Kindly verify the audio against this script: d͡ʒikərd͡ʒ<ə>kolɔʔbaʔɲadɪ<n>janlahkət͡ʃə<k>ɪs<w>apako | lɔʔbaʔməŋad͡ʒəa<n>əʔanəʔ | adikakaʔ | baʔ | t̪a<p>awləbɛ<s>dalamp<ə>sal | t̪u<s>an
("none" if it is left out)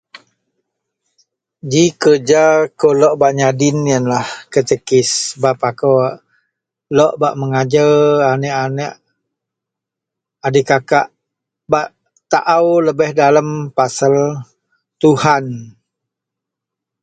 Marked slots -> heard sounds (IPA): a, n, k, b, n, ʔ, h, a, h

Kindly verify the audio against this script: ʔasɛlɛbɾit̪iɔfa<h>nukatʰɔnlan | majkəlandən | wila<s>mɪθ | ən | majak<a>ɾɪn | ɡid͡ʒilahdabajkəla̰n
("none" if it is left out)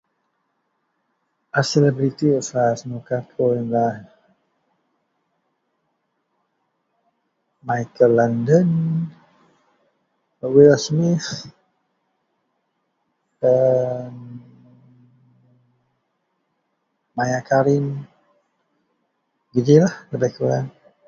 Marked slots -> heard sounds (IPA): s, s, a

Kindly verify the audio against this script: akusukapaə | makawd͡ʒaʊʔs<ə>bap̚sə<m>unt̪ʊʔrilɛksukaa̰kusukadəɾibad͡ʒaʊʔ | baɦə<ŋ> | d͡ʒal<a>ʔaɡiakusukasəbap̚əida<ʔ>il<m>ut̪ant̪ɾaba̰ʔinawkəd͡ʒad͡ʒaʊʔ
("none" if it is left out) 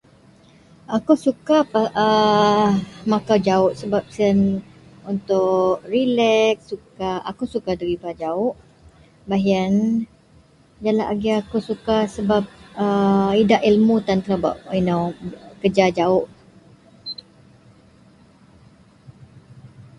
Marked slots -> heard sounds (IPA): ə, n, n, a, ʔ, m

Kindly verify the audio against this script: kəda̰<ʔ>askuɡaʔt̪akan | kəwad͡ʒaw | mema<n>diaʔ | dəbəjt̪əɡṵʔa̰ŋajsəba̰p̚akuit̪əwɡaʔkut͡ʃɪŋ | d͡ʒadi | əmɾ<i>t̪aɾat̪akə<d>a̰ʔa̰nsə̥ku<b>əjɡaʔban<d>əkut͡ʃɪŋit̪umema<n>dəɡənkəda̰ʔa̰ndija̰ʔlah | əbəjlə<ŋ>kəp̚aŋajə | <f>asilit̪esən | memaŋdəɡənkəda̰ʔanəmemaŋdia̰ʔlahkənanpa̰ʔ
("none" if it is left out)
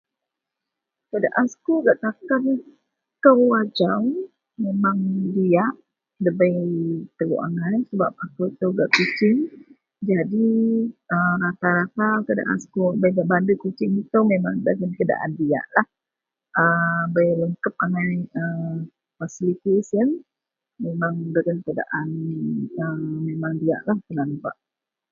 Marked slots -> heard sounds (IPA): ʔ, ŋ, a, d, b, d, ŋ, ŋ, f

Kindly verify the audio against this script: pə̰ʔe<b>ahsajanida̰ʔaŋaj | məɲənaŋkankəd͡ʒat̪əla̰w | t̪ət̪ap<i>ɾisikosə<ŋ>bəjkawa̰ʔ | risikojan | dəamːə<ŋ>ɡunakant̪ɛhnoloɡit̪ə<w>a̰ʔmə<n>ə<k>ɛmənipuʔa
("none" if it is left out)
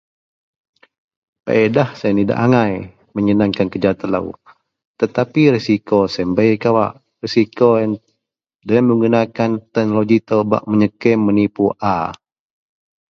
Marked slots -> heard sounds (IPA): d, i, m, ŋ, b, ɲ, k

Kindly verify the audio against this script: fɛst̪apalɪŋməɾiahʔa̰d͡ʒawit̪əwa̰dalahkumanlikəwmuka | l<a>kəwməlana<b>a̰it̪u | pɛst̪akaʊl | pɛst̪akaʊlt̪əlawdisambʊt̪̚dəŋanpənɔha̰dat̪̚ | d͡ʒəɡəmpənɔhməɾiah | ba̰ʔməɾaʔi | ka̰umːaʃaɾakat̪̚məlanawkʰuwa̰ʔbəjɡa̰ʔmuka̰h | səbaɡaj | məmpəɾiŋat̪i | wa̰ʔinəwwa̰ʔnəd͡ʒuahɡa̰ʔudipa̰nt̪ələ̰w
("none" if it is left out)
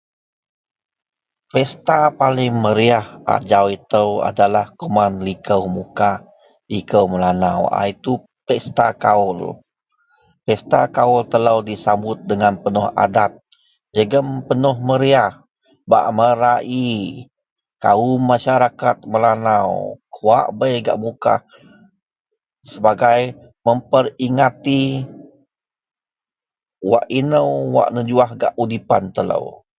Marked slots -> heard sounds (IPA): i, w

